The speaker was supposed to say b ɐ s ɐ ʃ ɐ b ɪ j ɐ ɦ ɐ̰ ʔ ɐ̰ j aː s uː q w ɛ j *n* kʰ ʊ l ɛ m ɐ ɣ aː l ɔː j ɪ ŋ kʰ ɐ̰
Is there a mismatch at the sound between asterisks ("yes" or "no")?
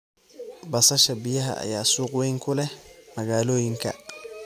yes